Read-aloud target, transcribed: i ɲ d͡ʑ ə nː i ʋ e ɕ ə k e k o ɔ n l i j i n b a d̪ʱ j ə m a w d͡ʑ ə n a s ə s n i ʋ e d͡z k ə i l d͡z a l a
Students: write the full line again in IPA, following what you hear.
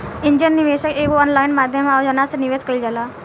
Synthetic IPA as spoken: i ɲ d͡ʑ ə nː i ʋ e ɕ ə k e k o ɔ n l a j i n m a d̪ʱ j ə m a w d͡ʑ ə n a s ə n i ʋ e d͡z k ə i l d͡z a l a